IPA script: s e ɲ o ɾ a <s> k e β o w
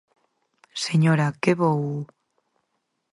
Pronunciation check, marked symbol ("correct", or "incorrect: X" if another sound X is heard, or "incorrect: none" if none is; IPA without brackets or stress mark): incorrect: none